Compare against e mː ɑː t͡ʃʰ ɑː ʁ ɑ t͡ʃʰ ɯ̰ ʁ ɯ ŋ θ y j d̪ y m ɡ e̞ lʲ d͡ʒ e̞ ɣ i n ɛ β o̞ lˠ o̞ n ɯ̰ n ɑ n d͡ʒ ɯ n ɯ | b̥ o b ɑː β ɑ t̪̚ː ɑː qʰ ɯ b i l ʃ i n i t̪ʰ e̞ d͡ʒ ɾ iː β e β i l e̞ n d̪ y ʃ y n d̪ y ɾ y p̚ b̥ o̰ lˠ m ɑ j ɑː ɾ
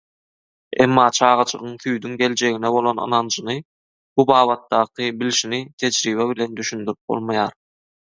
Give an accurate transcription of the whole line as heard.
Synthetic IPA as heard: e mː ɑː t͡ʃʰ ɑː ʁ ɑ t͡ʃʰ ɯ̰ ʁ ɯ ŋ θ y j d̪ y ŋ ɡ e̞ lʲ d͡ʒ e̞ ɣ i n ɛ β o̞ lˠ o̞ n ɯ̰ n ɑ n d͡ʒ ɯ n ɯ | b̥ u b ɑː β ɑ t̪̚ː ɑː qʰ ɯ b i l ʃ i n i t̪ʰ e̞ d͡ʒ ɾ iː β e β i l e̞ n d̪ y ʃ y n d̪ y ɾ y p̚ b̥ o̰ lˠ m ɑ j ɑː ɾ